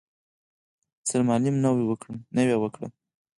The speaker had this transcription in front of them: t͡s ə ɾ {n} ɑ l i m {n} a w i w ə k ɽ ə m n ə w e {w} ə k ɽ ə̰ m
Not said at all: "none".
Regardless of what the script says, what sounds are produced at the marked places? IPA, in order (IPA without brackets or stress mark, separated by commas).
m, n, w